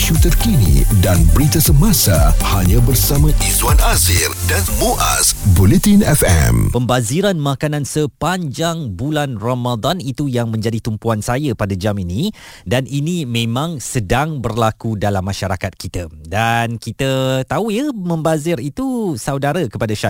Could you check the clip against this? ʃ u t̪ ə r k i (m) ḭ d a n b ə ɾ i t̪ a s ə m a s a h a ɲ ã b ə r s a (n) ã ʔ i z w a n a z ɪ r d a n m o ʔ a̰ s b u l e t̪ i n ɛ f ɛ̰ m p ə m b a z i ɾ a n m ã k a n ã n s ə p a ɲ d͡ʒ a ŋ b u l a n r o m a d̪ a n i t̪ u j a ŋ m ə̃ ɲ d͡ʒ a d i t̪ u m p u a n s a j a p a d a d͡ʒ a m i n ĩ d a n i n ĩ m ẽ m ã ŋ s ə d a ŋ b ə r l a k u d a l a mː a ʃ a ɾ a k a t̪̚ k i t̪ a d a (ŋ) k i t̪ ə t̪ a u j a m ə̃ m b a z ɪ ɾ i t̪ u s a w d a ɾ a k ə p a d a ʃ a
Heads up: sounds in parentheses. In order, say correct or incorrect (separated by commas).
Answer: incorrect, incorrect, incorrect